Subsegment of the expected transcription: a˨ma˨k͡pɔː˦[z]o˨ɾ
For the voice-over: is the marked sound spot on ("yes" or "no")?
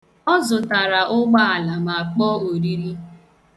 no